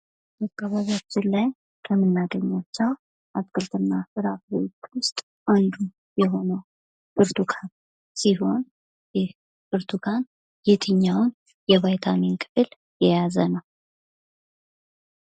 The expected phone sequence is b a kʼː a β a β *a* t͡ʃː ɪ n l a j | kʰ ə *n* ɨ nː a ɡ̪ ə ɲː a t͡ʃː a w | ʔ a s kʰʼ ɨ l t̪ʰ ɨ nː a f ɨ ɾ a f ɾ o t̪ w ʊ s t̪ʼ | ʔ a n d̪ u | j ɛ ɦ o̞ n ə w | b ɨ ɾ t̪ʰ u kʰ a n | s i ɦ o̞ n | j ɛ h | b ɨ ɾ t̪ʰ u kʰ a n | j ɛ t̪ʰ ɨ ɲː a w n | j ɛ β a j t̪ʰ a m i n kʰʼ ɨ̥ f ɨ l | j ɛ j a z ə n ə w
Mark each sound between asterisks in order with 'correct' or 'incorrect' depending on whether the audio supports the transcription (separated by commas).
correct, incorrect